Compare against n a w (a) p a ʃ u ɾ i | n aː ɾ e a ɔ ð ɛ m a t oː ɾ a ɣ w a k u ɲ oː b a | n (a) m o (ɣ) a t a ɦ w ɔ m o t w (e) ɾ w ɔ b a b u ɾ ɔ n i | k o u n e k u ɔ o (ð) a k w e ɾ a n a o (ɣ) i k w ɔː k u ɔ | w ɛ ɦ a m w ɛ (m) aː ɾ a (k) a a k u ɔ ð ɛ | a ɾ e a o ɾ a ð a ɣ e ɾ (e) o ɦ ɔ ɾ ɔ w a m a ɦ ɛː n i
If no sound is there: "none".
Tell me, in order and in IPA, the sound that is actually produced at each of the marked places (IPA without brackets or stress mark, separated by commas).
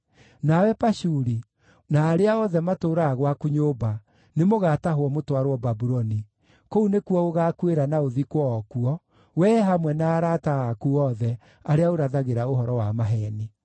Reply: ɛ, e, ɣ, a, ɣ, ð, n, t, a